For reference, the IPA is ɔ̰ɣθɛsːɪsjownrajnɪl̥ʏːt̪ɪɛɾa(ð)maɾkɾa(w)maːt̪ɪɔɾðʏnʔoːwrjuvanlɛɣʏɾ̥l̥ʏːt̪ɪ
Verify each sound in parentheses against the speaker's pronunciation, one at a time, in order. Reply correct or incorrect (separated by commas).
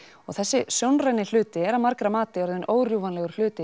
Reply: correct, incorrect